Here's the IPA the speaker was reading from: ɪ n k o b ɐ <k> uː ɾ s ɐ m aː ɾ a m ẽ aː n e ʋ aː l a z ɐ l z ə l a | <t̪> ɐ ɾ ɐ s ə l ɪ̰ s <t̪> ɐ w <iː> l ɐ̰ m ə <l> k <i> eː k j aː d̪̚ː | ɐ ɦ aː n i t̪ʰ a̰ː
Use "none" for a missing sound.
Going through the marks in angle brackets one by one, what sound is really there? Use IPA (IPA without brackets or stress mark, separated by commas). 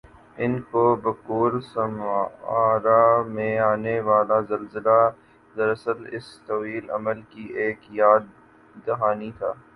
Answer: k, d̪, t̪, iː, l, i